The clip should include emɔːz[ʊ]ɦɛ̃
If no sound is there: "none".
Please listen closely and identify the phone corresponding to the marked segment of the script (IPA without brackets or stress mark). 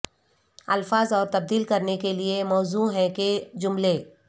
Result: u